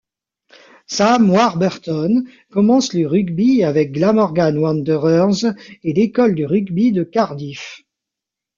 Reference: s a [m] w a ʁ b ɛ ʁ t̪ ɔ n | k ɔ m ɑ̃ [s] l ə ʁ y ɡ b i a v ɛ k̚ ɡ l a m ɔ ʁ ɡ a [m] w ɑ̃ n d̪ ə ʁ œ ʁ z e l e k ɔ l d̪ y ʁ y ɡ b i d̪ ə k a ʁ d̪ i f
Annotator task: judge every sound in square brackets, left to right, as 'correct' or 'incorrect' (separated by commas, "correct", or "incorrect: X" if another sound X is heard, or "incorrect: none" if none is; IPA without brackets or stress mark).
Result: correct, correct, incorrect: n